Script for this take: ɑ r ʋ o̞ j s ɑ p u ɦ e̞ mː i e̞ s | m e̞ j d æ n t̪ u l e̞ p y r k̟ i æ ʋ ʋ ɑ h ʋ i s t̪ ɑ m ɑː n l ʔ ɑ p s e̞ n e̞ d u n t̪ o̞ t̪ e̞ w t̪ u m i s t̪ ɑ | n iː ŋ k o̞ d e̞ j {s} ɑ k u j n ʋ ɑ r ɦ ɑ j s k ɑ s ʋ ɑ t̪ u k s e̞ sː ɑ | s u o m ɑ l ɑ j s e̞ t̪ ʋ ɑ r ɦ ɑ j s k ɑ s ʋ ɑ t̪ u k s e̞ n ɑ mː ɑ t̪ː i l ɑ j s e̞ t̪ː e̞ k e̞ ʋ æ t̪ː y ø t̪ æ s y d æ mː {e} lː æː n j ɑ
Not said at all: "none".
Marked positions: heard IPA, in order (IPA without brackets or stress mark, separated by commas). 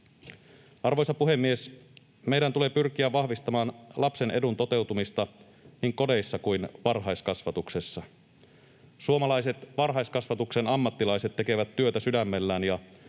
sː, e